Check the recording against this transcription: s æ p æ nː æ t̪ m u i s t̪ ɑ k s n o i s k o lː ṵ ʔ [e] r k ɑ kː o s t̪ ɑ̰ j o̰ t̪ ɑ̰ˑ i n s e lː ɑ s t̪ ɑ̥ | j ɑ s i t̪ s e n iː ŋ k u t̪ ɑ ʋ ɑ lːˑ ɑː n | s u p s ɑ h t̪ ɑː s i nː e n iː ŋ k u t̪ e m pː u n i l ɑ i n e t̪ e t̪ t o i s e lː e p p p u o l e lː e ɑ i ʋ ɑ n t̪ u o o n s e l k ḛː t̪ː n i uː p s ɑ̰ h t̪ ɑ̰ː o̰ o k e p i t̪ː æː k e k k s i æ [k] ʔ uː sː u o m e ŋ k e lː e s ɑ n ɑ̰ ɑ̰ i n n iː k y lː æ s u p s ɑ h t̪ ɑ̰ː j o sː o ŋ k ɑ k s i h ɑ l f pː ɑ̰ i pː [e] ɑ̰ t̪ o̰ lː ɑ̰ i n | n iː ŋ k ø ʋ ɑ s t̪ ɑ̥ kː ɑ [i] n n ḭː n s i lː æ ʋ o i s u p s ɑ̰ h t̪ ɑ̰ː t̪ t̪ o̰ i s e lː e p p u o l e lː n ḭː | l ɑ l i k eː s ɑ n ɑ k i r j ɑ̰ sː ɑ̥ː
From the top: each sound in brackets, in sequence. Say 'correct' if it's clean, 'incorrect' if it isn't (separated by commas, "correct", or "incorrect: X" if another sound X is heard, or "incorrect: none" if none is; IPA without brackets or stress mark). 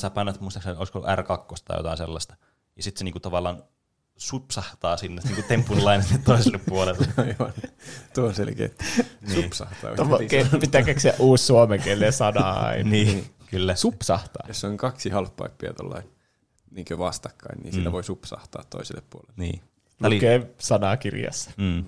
incorrect: æ, incorrect: ʔ, incorrect: i, correct